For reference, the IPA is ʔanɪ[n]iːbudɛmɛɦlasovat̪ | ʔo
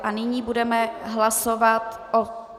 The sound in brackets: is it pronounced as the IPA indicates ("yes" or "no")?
no